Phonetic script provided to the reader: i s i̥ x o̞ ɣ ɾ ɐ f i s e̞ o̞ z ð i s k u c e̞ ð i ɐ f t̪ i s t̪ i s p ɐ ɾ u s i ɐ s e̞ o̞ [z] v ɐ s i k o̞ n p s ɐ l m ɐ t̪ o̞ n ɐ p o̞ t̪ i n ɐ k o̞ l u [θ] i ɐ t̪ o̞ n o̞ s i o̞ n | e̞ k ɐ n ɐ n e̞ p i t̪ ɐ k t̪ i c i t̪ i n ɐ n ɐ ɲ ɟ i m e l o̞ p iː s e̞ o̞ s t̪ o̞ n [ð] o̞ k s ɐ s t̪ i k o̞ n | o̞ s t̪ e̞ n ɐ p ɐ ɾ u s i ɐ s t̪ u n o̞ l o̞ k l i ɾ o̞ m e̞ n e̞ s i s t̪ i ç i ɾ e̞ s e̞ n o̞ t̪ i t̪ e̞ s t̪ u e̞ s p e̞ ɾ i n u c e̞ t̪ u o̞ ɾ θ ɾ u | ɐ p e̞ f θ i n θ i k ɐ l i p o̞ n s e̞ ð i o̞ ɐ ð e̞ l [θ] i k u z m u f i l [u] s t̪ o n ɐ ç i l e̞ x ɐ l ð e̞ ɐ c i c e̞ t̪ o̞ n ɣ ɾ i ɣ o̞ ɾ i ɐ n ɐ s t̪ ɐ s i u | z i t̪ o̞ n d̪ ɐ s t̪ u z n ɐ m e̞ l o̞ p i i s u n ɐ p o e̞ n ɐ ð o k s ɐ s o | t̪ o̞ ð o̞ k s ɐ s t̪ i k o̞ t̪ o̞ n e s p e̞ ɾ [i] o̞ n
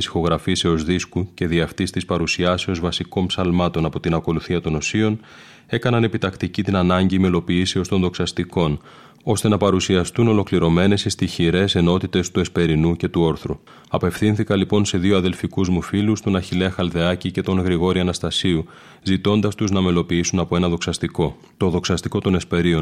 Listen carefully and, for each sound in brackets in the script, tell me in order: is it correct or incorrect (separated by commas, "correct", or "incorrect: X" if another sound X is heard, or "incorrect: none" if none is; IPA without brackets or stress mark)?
correct, correct, correct, incorrect: f, correct, correct